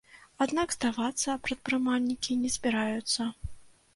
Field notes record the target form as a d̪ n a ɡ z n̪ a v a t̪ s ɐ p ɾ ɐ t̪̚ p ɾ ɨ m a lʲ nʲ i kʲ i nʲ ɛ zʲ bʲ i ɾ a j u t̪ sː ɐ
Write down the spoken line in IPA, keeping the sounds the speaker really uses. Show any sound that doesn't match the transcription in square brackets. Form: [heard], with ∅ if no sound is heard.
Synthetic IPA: a d̪ n a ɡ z [d̪] a v a t̪ [sː] ɐ p ɾ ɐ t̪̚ p ɾ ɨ m a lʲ nʲ i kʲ i nʲ ɛ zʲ bʲ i ɾ a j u t̪ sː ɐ